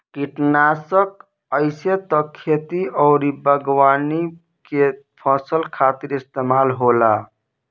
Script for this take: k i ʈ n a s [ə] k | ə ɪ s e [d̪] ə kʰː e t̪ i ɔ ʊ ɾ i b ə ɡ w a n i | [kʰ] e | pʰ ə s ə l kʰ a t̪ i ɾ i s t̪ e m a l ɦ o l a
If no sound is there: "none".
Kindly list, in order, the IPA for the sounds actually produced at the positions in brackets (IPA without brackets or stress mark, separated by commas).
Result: ə, t̪, k